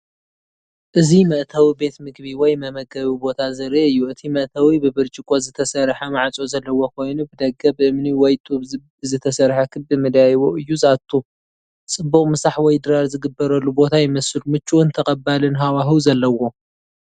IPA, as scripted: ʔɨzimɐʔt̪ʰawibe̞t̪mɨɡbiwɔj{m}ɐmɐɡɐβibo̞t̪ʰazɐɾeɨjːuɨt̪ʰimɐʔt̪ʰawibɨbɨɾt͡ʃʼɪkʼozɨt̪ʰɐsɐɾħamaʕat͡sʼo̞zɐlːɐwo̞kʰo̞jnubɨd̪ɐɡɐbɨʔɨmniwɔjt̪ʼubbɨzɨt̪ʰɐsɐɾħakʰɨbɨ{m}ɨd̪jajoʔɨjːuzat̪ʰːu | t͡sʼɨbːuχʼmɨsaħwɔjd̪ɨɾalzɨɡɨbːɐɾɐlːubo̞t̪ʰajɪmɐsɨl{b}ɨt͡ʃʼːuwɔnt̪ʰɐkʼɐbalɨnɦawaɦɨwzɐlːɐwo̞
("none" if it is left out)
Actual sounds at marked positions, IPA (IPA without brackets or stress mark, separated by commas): m, m, m